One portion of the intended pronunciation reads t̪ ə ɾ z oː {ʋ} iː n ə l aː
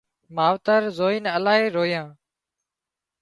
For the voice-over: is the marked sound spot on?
no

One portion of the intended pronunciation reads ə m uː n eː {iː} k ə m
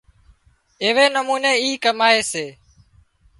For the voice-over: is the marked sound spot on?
yes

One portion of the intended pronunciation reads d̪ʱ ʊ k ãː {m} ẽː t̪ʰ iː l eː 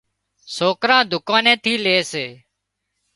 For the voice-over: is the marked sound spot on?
no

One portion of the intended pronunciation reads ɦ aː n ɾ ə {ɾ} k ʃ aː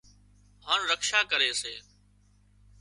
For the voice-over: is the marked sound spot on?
no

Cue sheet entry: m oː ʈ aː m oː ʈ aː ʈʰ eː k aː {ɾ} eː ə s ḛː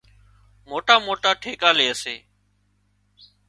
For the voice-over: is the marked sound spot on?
no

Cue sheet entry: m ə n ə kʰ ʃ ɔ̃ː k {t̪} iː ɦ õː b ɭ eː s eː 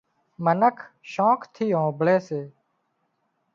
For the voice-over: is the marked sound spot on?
no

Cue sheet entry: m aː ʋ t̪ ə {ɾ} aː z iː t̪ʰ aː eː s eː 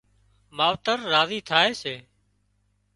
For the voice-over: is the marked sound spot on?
no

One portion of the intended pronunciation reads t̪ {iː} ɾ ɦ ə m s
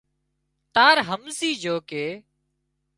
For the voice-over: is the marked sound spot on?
no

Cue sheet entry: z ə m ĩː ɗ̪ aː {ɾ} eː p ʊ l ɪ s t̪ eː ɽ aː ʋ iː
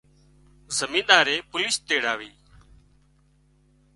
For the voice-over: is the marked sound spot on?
yes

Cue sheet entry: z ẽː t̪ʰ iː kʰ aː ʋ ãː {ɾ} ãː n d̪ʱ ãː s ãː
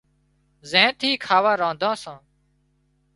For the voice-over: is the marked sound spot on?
yes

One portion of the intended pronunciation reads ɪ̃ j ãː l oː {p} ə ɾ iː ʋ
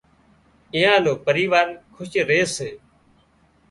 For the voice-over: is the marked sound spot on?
yes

